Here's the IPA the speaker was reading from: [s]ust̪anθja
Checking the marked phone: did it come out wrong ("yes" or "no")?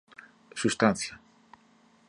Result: no